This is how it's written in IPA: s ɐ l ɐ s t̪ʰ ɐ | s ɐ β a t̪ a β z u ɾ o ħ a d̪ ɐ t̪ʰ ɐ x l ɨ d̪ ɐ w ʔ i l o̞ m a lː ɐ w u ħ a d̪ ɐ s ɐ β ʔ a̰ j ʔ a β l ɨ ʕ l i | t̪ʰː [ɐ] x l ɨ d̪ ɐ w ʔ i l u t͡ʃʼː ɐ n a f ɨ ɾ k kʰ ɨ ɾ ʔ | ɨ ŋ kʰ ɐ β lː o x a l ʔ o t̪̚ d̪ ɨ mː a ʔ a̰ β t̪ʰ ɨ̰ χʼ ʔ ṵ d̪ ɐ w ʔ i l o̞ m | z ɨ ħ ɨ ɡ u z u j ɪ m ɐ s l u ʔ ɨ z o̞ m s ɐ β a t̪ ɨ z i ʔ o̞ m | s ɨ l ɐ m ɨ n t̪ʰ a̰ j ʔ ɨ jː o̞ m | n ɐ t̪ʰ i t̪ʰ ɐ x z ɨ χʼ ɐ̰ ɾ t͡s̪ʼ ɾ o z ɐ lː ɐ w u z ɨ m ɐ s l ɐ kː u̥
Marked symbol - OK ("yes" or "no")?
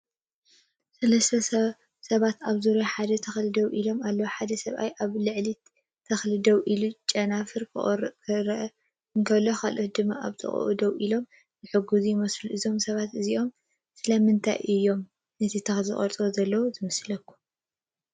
yes